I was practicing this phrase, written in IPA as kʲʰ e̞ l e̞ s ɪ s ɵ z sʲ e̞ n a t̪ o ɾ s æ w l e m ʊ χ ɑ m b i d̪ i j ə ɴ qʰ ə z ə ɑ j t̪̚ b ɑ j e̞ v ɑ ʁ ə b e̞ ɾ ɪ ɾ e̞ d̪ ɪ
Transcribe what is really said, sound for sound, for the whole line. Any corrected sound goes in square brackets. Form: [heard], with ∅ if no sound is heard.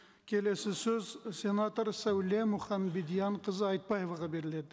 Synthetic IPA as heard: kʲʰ e̞ l e̞ s ɪ s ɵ z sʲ e̞ n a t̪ o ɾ s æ w l e m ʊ χ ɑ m b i d̪ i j [ɑ] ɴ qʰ ə z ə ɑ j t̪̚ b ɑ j e̞ v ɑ ʁ [ɑ] b e̞ ɾ ɪ [l] e̞ d̪ ɪ